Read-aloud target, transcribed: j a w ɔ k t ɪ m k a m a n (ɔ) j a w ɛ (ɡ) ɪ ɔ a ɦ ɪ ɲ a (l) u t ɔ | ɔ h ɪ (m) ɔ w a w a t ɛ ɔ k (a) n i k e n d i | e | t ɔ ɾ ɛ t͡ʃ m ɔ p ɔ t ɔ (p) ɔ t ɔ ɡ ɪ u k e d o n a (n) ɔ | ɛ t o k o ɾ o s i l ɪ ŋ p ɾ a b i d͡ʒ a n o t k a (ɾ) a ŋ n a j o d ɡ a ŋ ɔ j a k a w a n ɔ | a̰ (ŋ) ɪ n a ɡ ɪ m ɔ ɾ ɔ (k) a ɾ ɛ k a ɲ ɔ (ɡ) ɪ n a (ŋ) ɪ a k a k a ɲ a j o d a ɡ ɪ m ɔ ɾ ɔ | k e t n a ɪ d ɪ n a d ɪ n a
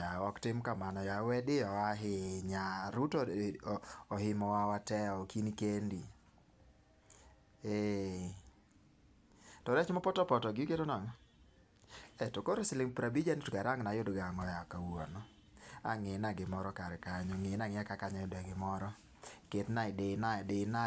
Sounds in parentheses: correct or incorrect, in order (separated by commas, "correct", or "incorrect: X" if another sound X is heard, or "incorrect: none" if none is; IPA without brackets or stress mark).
correct, incorrect: d, incorrect: ɾ, correct, incorrect: i, correct, incorrect: ŋ, correct, correct, correct, incorrect: ŋ, correct